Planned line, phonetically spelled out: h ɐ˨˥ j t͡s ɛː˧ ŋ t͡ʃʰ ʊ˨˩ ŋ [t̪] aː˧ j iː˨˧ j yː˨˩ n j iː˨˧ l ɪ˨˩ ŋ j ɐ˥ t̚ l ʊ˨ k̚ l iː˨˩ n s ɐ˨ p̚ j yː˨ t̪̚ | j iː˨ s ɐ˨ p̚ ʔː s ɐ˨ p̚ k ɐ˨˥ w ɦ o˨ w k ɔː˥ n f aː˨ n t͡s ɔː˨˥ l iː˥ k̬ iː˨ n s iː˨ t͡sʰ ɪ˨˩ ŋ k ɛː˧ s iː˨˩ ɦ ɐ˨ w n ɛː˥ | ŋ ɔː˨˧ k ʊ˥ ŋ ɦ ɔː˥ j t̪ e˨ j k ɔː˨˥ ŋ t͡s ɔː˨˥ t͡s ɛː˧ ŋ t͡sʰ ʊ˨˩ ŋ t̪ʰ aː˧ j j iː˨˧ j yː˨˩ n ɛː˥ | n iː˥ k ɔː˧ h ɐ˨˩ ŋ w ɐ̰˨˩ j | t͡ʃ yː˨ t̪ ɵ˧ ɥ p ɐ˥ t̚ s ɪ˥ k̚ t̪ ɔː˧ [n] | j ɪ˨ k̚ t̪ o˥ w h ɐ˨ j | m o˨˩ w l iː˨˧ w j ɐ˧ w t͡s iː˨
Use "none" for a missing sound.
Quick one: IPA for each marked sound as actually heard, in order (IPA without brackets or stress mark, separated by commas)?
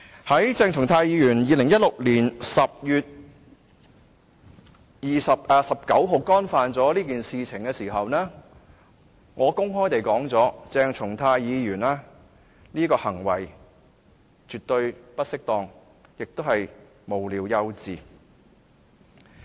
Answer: t̪ʰ, ŋ